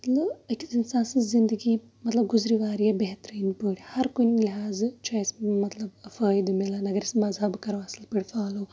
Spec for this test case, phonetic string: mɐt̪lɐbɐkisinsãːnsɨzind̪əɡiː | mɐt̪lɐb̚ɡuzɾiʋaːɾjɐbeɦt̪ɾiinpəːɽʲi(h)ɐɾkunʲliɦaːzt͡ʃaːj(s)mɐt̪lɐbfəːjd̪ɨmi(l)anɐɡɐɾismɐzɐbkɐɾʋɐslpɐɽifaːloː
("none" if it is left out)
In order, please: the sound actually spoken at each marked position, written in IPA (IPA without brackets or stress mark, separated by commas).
h, s, l